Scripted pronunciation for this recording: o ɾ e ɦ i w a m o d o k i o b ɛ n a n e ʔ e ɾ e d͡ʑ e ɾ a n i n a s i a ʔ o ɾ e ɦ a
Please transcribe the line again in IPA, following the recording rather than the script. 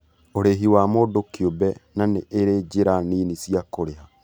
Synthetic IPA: o ɾ e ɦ i w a m o d o k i o b ɛ n a n e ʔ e ɾ e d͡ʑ e ɾ a n i n i s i a k o ɾ e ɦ a